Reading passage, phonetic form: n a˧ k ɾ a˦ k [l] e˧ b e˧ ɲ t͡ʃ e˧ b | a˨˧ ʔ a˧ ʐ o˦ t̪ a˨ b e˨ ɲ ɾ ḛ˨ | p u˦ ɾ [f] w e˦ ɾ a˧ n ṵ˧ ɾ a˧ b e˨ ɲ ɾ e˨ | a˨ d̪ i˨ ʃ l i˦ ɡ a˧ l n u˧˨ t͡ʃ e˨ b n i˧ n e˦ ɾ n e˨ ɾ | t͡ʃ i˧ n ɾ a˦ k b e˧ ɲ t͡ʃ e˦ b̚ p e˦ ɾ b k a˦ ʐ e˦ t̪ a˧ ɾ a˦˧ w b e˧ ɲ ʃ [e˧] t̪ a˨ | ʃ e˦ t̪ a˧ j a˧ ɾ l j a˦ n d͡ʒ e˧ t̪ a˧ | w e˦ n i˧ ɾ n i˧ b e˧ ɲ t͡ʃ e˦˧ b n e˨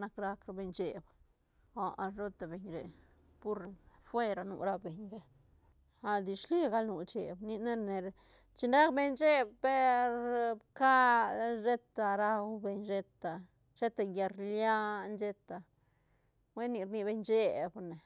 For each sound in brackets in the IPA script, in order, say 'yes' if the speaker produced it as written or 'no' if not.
no, yes, yes

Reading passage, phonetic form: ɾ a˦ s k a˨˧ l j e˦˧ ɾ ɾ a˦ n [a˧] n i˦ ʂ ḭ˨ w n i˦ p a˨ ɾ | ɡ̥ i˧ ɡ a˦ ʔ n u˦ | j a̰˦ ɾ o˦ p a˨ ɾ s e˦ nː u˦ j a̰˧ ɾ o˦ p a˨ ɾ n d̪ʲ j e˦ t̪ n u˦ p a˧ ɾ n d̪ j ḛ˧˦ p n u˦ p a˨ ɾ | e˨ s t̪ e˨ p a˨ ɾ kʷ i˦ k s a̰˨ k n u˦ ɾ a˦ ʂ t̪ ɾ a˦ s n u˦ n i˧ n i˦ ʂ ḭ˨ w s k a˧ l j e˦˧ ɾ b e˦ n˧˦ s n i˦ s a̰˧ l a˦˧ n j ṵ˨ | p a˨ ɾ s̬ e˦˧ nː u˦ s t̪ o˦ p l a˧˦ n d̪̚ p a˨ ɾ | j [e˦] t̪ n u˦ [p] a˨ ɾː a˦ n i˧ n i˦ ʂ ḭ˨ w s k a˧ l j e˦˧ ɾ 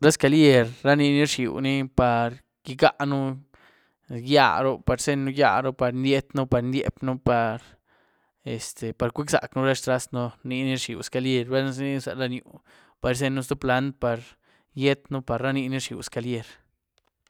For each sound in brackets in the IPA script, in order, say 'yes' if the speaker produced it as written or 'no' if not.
no, yes, yes

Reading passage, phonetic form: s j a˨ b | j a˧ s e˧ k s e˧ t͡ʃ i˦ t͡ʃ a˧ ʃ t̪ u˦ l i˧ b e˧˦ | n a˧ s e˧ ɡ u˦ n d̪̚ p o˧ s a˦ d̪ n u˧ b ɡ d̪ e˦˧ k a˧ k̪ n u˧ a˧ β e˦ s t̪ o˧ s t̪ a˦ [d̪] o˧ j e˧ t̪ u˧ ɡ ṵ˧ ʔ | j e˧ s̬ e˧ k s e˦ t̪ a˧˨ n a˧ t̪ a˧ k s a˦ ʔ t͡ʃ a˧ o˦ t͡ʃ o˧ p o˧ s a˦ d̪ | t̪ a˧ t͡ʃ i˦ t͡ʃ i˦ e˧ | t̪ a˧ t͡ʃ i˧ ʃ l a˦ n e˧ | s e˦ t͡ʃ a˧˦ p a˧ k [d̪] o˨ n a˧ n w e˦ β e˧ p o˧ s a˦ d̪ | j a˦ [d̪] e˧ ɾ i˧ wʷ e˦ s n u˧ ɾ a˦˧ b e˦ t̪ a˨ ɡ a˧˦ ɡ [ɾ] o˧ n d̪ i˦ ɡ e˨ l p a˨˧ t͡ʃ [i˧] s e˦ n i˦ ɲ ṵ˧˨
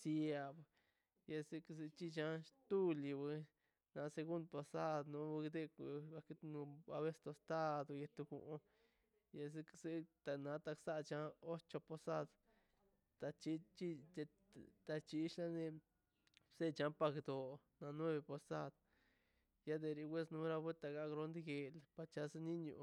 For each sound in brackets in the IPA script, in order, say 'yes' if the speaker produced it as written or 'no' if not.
yes, yes, yes, yes, no

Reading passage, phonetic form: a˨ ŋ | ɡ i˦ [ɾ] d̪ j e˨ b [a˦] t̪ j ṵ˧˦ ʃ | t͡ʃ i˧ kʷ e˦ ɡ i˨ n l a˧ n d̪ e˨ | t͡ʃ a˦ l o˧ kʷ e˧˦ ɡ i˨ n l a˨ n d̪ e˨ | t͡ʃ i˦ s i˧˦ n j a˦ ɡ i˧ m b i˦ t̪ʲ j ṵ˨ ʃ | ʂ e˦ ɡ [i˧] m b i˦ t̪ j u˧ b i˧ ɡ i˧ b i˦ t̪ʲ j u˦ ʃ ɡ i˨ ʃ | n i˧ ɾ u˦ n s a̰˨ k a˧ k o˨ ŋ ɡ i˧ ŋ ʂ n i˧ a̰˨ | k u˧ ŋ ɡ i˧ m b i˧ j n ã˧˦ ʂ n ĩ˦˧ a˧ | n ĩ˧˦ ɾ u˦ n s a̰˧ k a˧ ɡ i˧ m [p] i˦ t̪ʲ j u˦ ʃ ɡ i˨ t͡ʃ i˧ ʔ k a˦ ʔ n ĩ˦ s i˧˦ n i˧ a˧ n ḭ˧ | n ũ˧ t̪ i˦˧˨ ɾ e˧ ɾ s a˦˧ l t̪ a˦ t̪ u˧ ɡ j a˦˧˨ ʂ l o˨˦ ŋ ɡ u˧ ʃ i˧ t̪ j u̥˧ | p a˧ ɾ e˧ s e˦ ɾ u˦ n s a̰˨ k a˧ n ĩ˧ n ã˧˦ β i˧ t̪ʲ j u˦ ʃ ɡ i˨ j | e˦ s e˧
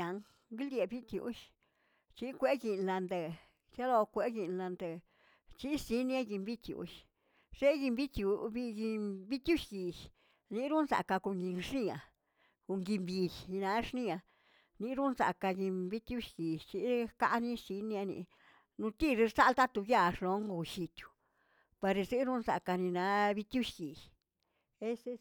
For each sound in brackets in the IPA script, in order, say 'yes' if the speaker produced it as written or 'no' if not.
no, no, yes, no

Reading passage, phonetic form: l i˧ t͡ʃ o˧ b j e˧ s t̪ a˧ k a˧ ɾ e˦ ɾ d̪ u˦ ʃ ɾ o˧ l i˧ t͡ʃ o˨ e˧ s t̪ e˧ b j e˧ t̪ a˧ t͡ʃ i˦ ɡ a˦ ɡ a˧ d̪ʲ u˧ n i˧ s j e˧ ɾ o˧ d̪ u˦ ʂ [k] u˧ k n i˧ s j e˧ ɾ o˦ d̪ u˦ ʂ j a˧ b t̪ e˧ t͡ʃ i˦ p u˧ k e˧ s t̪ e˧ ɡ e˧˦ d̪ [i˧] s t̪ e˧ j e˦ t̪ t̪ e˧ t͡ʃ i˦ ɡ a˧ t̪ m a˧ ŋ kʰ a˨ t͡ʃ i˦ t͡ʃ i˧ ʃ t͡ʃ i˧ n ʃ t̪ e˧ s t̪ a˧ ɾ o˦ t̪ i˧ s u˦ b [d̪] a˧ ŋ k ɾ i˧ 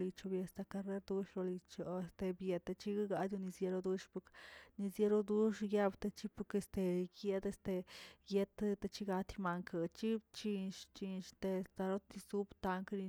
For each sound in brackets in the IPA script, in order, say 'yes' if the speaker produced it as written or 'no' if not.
no, no, no

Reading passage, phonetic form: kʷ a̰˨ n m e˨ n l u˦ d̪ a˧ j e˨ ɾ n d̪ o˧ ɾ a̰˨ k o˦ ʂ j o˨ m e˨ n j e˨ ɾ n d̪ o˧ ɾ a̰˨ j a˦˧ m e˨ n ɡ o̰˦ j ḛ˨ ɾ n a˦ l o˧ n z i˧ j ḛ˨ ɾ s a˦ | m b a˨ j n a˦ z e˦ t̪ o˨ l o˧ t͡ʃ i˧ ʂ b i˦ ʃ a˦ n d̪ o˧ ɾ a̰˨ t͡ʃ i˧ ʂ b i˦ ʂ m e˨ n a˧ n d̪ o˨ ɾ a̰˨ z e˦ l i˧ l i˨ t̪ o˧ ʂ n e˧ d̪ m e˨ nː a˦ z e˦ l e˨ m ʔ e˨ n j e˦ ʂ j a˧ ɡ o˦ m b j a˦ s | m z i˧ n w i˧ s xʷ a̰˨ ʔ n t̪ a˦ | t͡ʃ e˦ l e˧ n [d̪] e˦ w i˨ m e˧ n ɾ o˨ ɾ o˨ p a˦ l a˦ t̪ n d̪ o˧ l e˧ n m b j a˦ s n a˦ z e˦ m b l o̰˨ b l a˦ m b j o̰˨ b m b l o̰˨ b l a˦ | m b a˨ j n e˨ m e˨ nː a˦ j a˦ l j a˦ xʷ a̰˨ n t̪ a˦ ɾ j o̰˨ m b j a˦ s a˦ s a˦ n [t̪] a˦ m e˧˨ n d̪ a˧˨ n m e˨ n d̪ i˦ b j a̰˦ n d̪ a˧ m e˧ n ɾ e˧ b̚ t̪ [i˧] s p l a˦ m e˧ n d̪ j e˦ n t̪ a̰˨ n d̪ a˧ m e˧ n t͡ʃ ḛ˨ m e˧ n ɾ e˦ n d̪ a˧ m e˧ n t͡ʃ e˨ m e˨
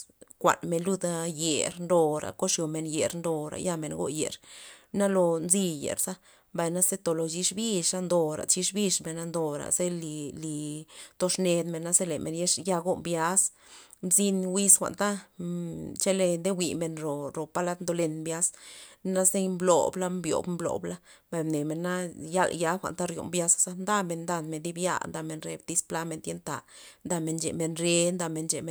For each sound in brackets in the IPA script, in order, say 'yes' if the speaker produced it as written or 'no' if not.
yes, no, yes

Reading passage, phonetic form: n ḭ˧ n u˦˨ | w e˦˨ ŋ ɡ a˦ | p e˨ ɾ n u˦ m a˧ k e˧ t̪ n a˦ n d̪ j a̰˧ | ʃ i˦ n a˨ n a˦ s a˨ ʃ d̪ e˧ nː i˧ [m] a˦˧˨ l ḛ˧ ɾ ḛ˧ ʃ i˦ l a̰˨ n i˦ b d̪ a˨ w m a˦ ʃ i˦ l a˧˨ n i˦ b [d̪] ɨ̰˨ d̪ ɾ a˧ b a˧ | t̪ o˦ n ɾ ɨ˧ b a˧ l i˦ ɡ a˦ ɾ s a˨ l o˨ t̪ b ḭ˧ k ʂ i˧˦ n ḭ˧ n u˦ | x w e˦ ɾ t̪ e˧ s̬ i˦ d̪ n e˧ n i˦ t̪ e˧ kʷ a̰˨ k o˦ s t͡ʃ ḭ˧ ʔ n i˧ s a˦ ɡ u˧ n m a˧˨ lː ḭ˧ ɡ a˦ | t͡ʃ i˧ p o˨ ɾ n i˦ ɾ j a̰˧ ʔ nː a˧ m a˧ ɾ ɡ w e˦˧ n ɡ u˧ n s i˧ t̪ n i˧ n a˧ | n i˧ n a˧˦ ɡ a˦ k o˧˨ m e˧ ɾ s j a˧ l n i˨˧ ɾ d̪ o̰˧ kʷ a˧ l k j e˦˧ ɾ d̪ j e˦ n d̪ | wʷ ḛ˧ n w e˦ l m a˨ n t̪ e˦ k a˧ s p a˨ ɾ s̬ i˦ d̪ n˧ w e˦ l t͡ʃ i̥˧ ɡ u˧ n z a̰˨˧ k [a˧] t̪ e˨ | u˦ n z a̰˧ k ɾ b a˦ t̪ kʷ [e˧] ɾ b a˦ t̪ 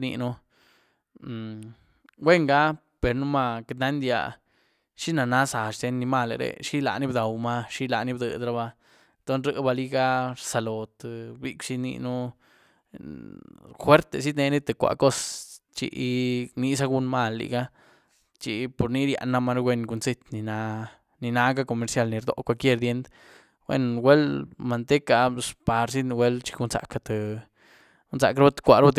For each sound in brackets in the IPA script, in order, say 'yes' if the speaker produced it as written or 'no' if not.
yes, yes, yes, no

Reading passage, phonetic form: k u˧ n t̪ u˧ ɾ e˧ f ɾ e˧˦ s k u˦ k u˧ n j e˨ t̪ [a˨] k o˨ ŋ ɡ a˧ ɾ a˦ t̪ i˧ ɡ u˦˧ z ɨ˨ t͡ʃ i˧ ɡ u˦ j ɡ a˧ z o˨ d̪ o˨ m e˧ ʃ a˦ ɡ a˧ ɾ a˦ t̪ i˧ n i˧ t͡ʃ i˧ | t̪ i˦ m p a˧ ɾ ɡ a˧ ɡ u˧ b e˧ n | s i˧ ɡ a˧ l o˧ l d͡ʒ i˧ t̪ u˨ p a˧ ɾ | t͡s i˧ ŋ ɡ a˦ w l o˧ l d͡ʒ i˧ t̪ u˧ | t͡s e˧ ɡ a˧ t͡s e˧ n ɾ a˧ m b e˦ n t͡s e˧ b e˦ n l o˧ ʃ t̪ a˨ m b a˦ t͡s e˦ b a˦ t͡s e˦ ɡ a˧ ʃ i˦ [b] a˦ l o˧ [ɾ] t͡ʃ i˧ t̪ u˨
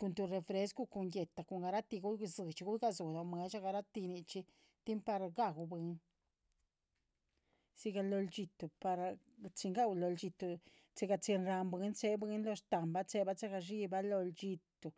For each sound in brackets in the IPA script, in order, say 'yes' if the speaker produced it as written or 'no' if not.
yes, yes, no

